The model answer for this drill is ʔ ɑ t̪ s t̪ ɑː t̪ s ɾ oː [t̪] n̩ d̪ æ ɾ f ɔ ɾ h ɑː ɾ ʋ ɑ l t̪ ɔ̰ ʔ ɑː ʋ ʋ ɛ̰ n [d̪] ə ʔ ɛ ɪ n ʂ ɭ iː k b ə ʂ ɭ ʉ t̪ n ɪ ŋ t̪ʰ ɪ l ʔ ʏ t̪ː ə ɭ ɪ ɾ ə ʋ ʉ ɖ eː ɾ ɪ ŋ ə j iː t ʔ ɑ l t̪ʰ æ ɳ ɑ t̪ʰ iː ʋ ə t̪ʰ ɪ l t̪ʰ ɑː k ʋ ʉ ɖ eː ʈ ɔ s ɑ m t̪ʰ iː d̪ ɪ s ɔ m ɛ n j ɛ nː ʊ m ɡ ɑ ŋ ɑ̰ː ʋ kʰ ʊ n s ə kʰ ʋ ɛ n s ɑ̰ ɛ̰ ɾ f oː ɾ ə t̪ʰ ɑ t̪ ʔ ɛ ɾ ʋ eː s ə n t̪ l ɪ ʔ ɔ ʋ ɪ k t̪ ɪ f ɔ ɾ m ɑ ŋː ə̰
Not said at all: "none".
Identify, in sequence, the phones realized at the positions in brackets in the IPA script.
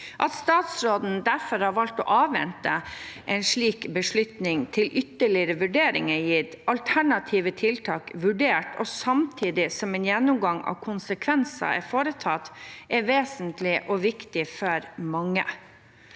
d̪, t̪

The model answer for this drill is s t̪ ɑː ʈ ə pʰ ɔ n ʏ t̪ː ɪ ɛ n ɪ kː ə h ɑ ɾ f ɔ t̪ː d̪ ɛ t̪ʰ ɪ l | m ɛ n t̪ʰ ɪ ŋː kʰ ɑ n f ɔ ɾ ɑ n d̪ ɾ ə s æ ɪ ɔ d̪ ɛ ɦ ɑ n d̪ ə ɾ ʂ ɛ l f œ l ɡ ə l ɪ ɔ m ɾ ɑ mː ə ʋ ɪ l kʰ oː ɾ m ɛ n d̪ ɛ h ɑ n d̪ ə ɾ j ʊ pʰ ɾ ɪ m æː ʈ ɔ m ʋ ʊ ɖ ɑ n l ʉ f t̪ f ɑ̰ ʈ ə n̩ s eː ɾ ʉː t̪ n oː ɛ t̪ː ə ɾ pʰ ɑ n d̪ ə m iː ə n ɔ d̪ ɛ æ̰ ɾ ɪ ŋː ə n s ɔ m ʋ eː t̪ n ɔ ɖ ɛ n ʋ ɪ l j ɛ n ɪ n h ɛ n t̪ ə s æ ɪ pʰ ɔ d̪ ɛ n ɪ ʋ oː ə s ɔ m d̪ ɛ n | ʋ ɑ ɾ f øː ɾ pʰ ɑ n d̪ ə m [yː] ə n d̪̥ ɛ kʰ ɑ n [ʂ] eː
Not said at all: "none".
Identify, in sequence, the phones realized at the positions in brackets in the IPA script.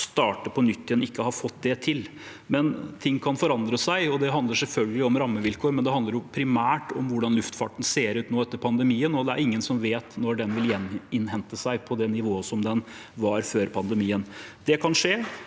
iː, ʂ

